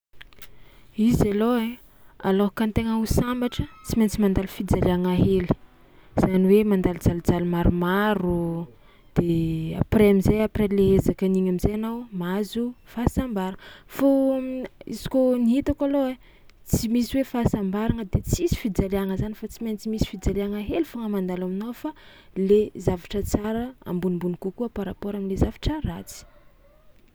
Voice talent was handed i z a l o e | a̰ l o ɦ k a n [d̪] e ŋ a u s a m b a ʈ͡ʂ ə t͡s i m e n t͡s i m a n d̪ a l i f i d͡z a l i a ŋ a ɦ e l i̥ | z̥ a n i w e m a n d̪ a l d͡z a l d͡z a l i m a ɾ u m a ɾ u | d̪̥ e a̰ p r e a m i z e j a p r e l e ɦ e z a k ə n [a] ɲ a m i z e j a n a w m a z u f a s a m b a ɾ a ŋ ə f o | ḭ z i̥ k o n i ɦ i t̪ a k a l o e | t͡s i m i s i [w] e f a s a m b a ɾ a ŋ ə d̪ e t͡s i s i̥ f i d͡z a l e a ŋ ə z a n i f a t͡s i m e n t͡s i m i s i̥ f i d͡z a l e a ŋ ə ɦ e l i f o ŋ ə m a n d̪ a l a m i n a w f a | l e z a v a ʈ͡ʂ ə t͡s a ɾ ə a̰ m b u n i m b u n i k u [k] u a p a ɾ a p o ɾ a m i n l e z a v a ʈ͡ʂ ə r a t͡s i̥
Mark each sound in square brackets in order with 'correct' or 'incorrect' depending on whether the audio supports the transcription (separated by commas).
incorrect, incorrect, correct, correct